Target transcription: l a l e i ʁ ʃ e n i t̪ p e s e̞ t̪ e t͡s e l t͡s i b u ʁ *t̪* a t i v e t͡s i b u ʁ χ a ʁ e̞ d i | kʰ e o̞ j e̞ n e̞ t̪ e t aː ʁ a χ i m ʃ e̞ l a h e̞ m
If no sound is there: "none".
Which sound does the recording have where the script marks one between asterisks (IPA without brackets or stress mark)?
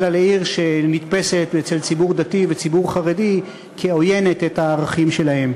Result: d̪